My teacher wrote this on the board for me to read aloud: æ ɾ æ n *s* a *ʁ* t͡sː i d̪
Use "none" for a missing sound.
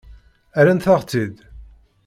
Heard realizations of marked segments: θ, ʁ

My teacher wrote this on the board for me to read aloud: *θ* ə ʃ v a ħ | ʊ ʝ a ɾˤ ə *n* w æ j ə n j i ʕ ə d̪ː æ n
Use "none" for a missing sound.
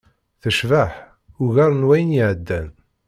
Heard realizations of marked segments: θ, n

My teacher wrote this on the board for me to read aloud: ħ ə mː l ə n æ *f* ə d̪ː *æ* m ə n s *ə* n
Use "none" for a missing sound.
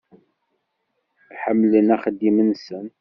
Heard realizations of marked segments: χ, i, ə

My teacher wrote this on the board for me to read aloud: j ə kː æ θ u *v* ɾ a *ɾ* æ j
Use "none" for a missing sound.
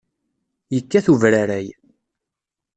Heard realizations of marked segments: v, ɾ

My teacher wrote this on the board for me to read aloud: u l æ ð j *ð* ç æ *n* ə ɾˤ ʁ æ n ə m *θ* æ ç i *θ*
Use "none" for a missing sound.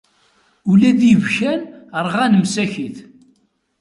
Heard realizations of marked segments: v, n, s, θ

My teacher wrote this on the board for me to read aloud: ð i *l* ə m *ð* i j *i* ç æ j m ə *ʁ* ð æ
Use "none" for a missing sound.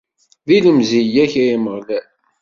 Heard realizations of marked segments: l, z, æ, ʁ

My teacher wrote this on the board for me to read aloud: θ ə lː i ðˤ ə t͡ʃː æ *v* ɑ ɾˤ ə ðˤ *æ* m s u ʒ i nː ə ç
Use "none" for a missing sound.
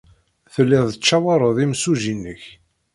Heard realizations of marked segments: w, i

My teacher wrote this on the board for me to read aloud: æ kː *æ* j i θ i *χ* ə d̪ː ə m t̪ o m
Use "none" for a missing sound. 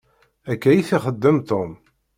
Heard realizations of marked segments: æ, χ

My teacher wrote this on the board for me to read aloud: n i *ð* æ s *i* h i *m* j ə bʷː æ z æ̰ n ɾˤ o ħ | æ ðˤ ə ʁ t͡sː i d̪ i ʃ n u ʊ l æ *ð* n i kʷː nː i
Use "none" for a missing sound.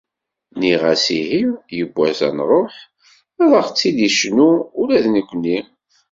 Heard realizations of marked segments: ʁ, i, m, ð

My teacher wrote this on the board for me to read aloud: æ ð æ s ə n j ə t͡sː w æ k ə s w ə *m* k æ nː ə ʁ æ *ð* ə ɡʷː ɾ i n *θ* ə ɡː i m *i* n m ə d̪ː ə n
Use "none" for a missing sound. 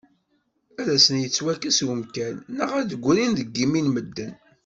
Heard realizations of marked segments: m, ð, ð, i

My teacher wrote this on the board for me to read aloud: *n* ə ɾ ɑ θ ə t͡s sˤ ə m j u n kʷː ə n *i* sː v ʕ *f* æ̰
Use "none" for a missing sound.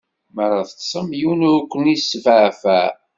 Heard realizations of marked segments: m, i, f

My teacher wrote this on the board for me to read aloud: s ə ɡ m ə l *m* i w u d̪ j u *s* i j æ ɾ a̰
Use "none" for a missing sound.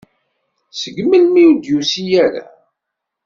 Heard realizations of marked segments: m, s

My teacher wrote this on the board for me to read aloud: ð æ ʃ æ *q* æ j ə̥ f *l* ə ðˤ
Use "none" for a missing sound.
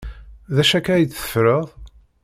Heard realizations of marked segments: k, ɾ

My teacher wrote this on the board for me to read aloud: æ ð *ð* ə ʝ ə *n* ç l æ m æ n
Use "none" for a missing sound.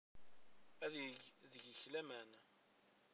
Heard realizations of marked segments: ð, none

